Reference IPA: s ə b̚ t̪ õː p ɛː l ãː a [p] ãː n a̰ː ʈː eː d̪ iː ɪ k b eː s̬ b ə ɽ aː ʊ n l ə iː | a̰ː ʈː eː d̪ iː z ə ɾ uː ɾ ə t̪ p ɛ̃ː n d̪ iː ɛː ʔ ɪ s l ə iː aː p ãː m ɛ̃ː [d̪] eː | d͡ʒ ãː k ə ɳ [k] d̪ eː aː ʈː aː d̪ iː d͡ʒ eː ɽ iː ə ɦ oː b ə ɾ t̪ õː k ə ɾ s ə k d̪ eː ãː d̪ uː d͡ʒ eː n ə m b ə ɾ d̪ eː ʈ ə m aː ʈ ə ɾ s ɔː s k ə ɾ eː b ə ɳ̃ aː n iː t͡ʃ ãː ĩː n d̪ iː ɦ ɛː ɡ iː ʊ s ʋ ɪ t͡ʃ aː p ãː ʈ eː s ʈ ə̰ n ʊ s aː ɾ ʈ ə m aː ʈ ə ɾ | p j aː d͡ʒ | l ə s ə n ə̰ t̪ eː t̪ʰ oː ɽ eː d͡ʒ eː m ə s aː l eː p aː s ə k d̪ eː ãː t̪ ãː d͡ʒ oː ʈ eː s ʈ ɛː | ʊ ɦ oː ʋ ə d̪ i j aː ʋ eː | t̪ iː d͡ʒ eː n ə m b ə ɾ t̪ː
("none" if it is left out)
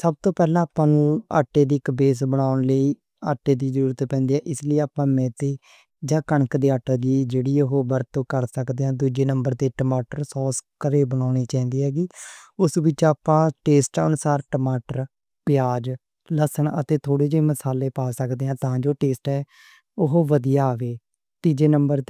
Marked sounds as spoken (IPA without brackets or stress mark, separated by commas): p, t̪, k